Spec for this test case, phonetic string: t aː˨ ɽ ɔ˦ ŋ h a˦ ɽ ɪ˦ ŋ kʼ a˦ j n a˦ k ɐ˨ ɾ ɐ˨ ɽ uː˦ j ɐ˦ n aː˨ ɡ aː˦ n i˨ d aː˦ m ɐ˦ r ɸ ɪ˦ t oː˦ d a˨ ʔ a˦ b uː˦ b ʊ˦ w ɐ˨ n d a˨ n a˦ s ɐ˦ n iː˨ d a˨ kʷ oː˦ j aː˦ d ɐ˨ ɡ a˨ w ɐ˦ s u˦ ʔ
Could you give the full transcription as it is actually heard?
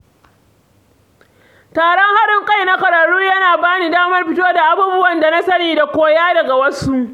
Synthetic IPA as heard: t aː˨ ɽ ɔ˦ ŋ h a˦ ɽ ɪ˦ ŋ kʼ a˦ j n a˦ k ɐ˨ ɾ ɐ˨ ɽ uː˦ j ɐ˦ n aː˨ b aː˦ n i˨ d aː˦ m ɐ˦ r ɸ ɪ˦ t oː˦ d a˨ ʔ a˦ b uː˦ b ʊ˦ w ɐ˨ n d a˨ n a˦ s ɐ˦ n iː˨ d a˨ kʷ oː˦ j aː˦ d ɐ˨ ɡ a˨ w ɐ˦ s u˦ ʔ